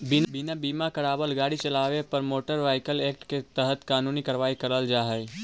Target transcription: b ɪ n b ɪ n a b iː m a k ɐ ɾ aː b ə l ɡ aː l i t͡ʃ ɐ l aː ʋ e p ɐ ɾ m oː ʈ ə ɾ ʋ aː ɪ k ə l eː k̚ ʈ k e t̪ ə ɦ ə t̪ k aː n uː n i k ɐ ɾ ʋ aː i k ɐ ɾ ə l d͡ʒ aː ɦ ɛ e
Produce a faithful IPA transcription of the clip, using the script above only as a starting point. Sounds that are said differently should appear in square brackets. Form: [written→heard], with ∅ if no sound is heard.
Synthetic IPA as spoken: b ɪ n b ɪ n a b iː m a k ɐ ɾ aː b ə l ɡ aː [l→ɽ] i t͡ʃ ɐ l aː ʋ e p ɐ ɾ m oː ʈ ə ɾ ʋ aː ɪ k ə l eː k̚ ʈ k e t̪ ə ɦ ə t̪ k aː n uː n i k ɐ ɾ ʋ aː i k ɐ ɾ ə l d͡ʒ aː ɦ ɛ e